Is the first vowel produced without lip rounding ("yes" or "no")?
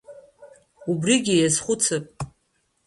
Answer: no